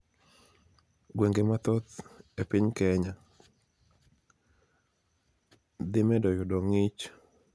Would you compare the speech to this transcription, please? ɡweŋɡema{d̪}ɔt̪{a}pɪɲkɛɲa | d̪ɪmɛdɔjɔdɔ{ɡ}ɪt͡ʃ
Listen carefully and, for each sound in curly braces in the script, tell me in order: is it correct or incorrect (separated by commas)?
incorrect, incorrect, incorrect